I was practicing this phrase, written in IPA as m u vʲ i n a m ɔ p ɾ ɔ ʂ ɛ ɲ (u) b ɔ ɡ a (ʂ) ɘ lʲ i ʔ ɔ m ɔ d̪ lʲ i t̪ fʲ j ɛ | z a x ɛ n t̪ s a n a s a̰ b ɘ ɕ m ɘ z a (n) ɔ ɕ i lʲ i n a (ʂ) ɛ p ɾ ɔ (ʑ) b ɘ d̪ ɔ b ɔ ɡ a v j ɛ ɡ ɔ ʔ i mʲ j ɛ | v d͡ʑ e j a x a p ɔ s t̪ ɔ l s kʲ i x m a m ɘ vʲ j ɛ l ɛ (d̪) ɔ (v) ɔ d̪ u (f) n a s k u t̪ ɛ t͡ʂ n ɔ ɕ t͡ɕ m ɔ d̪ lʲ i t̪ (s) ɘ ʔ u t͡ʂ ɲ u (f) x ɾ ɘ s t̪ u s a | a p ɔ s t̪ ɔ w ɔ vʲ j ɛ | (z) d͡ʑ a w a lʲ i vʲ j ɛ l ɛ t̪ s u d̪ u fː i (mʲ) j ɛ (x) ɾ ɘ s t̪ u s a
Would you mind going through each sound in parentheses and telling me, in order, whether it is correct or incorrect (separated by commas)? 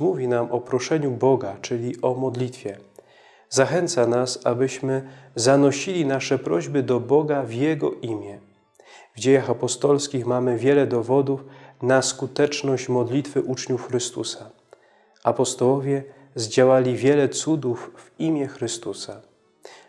correct, incorrect, correct, correct, correct, correct, correct, correct, incorrect, correct, correct, correct, correct